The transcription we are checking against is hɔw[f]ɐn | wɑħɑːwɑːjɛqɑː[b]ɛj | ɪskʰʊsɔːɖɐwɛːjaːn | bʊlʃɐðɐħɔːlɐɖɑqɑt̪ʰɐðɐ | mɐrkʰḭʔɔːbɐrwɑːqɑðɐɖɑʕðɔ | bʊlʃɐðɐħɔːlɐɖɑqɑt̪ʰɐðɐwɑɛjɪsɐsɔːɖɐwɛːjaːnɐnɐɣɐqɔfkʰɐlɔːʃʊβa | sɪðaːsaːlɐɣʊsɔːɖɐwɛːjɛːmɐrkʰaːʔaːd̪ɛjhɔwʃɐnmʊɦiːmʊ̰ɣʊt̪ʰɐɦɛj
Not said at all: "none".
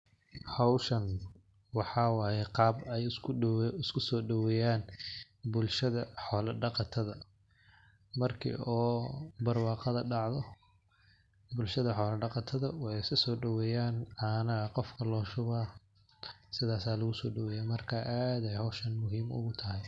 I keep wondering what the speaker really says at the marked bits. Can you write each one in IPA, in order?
ʃ, b

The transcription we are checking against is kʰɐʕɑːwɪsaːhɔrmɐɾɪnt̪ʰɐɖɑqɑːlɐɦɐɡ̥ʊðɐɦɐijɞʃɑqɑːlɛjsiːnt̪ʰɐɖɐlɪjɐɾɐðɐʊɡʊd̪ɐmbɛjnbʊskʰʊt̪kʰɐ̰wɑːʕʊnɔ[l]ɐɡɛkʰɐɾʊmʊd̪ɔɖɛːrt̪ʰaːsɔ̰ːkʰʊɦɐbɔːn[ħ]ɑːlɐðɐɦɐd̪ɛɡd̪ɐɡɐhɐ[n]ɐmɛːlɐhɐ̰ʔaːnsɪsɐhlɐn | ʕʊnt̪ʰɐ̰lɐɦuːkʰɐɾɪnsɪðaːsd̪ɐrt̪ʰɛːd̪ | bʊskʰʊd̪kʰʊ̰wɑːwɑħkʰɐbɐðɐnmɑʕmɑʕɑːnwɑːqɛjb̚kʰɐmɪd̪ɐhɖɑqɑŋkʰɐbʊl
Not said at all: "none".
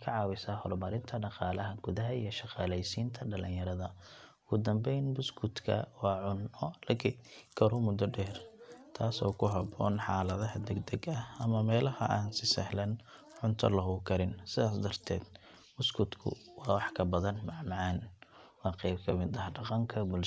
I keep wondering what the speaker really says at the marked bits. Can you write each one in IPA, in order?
l, ħ, m

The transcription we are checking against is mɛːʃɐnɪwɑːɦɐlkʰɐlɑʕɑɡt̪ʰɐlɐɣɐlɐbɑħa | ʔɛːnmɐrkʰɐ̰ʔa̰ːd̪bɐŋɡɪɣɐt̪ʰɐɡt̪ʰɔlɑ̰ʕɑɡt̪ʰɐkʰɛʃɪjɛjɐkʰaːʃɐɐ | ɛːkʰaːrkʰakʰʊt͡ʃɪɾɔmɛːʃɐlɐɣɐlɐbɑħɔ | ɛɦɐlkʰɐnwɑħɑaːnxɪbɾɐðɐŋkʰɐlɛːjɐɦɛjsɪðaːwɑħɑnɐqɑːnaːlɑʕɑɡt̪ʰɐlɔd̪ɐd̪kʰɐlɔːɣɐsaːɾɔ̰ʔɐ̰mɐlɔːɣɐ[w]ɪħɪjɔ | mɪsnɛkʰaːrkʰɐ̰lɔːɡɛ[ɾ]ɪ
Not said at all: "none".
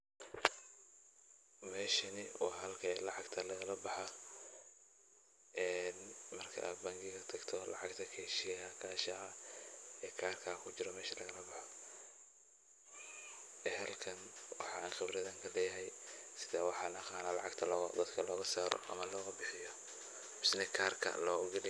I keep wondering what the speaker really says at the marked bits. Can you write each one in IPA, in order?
b, l

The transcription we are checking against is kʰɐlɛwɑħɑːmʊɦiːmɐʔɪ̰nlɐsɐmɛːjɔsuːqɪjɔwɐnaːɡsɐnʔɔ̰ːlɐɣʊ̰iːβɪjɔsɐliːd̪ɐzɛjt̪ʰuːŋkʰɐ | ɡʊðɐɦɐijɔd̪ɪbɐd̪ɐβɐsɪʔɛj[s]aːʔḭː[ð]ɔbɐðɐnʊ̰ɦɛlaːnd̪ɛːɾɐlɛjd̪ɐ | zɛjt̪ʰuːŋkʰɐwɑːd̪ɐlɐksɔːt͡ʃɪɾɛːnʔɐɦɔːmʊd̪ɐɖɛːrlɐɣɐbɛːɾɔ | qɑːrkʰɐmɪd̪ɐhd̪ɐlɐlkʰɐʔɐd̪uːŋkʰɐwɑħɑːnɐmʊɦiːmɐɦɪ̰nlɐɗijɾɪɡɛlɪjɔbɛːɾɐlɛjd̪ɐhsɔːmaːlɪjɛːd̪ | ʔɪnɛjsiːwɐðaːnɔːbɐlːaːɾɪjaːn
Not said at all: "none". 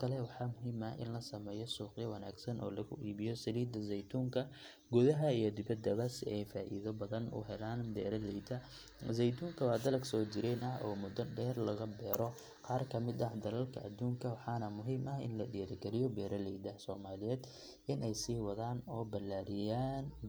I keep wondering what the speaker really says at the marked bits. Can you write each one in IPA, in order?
f, ð

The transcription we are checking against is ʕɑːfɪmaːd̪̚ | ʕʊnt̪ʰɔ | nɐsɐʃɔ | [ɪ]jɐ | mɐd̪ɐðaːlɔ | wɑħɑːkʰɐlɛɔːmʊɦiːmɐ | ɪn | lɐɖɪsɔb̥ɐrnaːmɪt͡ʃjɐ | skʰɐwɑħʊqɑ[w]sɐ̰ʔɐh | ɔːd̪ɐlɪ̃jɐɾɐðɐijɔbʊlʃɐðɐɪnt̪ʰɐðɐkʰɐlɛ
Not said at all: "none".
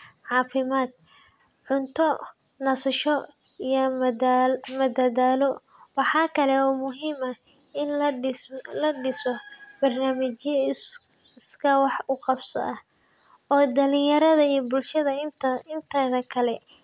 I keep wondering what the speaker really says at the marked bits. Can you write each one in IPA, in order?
i, b

